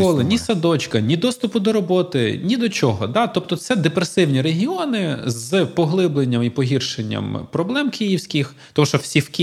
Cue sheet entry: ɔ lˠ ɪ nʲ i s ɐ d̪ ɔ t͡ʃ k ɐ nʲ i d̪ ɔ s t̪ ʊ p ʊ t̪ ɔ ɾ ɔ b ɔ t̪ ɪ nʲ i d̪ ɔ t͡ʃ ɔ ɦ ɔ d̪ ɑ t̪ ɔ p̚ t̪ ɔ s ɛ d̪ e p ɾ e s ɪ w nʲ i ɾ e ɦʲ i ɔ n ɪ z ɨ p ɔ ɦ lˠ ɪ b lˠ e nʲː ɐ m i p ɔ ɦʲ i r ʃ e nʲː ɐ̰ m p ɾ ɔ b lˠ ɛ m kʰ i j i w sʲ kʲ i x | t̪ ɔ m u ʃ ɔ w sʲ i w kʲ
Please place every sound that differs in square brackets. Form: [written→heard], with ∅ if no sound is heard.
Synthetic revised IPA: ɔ lˠ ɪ nʲ i s ɐ d̪ ɔ t͡ʃ k ɐ nʲ i d̪ ɔ s t̪ ʊ p ʊ [t̪→d̪] ɔ ɾ ɔ b ɔ t̪ ɪ nʲ i d̪ ɔ t͡ʃ ɔ ɦ ɔ d̪ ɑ t̪ ɔ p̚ t̪ ɔ s ɛ d̪ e p ɾ e s ɪ w nʲ i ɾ e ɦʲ i ɔ n ɪ z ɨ p ɔ ɦ lˠ ɪ b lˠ e nʲː ɐ m i p ɔ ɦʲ i r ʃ e nʲː ɐ̰ m p ɾ ɔ b lˠ ɛ m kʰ i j i w sʲ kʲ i x | t̪ ɔ m u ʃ ɔ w sʲ i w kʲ